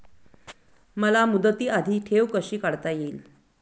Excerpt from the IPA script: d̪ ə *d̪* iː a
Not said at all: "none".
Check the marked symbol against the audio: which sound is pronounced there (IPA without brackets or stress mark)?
t̪